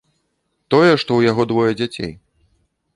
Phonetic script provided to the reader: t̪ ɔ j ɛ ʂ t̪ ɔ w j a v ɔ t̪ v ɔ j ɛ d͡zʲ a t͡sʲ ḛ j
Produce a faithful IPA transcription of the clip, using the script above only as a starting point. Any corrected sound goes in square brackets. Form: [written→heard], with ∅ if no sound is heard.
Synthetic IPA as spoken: t̪ ɔ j ɛ ʂ t̪ ɔ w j a [v→ɣ] ɔ [t̪→d̪] v ɔ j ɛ d͡zʲ a t͡sʲ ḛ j